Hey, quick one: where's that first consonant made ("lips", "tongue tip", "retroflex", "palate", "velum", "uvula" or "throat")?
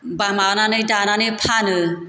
lips